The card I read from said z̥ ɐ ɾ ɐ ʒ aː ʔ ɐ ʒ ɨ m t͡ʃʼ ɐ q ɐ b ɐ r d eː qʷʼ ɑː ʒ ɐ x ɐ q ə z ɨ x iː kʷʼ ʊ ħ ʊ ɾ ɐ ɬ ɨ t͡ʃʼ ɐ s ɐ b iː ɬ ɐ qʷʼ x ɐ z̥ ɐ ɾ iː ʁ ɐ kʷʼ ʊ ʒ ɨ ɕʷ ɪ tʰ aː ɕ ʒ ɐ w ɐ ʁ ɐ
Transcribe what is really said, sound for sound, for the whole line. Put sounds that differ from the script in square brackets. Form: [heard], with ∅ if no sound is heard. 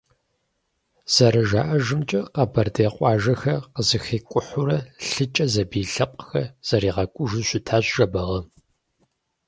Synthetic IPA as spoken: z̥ ɐ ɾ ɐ ʒ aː ʔ ɐ ʒ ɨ m t͡ʃʼ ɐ q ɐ b ɐ r d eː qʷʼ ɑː ʒ ɐ x ɐ q ə z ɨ x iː kʷʼ ʊ ħ ʊ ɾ ɐ ɬ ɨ t͡ʃʼ ɐ [z] ɐ b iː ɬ ɐ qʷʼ x ɐ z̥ ɐ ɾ iː ʁ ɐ kʷʼ ʊ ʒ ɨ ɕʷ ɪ tʰ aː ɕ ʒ ɐ [b] ɐ ʁ ɐ